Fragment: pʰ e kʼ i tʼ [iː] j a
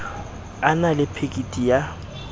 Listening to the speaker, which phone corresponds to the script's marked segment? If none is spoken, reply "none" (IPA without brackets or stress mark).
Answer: i